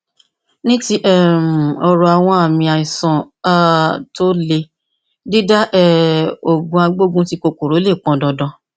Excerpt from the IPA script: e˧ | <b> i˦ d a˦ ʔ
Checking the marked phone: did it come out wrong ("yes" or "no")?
yes